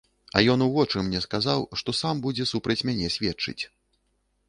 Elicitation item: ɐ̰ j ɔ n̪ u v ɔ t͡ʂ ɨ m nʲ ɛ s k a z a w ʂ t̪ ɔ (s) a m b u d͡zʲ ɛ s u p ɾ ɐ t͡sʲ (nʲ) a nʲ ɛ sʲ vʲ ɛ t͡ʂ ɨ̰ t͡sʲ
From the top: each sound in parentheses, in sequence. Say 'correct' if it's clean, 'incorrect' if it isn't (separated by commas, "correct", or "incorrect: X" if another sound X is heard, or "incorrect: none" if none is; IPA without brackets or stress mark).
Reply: correct, incorrect: mʲ